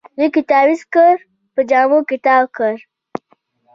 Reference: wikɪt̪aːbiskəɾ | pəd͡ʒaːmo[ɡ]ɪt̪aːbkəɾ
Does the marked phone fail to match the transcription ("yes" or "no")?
yes